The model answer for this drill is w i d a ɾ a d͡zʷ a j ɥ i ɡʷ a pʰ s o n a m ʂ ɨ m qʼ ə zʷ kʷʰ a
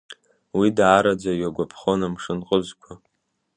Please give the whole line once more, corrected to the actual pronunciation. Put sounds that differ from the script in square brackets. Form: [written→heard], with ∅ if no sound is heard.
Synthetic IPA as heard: w i d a ɾ a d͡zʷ a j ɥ [i→a] ɡʷ a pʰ [s→χ] o n a m ʂ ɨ [m→n] qʼ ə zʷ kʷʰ a